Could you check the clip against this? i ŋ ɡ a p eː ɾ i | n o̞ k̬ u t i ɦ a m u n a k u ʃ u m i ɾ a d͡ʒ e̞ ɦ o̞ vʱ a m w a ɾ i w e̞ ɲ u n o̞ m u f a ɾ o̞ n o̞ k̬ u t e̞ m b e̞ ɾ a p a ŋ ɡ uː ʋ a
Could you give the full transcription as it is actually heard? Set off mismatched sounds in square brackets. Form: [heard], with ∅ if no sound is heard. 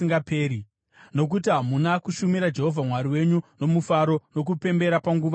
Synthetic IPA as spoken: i ŋ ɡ a p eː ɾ i | n o̞ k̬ u t i ɦ a m u n a k u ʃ u m i ɾ a d͡ʒ e̞ ɦ o̞ vʱ a m w a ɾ i w e̞ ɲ u n o̞ m u f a ɾ o̞ n o̞ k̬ u [p] e̞ m b e̞ ɾ a p a ŋ ɡ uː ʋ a